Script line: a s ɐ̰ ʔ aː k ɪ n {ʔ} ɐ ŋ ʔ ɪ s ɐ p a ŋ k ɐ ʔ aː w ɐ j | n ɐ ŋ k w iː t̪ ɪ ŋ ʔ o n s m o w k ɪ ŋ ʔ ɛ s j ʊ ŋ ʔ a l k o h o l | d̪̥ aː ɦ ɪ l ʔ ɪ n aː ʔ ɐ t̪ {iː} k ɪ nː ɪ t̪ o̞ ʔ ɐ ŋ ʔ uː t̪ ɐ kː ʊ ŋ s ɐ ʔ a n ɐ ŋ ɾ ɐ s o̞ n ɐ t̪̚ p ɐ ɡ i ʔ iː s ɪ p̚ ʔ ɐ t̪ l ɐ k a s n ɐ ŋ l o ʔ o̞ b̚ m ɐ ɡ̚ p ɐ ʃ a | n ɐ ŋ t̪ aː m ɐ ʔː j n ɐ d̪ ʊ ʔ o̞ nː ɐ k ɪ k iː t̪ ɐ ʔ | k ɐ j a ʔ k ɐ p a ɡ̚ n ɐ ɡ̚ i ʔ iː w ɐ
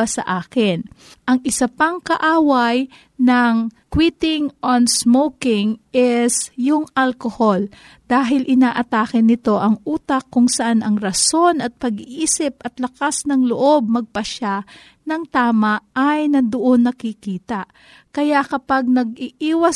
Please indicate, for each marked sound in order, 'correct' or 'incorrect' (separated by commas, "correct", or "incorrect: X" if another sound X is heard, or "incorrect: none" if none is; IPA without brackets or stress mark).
correct, incorrect: aː